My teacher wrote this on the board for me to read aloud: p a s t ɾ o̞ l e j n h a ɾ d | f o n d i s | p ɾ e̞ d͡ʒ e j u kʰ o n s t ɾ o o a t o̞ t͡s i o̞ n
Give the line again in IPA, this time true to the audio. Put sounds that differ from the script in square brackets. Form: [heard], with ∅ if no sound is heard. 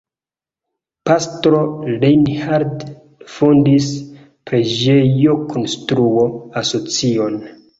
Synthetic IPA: p a s t ɾ o̞ l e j n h a ɾ d | f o n d i s | p ɾ e̞ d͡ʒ e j [o] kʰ o n s t ɾ [u] o a [s] o̞ t͡s i o̞ n

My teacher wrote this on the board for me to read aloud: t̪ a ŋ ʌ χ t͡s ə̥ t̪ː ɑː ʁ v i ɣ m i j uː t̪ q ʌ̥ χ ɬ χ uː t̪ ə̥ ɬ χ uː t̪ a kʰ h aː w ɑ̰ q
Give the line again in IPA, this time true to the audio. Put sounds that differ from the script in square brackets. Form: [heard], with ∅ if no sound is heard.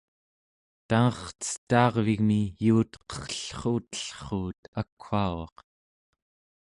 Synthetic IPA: t̪ a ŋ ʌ χ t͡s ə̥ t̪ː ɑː ʁ v i ɣ m i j uː t̪ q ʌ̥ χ ɬ χ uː t̪ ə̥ ɬ χ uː t̪ a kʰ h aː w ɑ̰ q

